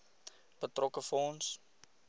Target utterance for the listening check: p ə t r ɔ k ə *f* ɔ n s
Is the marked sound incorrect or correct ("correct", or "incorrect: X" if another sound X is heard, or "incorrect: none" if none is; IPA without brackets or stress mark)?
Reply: correct